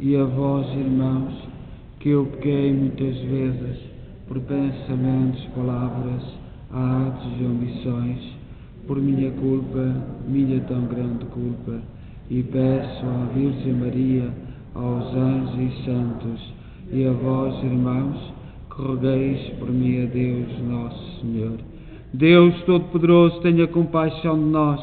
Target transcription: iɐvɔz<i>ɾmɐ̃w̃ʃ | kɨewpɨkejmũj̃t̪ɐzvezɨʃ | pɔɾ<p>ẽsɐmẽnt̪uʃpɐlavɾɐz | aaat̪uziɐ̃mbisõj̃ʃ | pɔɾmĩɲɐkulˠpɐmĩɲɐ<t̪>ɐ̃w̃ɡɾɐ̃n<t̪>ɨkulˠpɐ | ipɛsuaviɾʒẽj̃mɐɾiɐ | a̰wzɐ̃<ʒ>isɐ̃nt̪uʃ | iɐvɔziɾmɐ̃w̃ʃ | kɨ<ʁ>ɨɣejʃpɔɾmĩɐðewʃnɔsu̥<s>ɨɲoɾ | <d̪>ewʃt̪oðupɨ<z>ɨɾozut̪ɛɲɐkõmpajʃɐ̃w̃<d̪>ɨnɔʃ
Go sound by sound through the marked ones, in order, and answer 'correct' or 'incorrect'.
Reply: correct, correct, correct, incorrect: d̪, correct, correct, correct, correct, incorrect: ð, correct

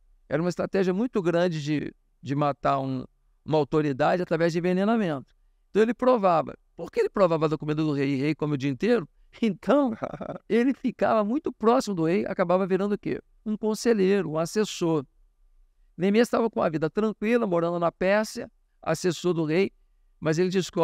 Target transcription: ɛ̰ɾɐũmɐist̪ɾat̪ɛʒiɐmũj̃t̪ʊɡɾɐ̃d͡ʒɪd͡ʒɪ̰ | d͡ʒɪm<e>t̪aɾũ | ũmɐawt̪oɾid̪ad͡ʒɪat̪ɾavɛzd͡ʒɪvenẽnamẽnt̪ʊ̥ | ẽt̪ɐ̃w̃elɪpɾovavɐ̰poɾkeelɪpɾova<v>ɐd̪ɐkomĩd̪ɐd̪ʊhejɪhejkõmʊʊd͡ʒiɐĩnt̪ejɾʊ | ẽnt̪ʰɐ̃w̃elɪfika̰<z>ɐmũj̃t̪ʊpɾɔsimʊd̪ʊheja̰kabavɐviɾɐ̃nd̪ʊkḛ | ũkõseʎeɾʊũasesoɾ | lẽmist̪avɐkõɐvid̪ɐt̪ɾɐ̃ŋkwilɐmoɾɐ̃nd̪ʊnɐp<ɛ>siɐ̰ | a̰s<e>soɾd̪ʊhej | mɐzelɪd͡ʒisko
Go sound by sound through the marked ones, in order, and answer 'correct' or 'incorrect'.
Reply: incorrect: a, correct, incorrect: v, correct, correct

